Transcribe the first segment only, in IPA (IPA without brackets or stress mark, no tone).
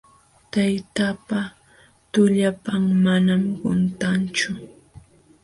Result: t̪